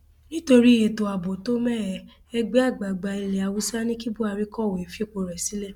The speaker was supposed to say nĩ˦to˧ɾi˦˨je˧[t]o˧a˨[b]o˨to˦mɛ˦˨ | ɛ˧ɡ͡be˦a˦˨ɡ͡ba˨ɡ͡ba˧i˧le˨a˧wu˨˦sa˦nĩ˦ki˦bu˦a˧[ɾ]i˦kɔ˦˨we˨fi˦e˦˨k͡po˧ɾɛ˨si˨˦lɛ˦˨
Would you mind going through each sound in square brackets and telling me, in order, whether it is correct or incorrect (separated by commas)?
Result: correct, correct, correct